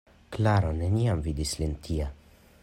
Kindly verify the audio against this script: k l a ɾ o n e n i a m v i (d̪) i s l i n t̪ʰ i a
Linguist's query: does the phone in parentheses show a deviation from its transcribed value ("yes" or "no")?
no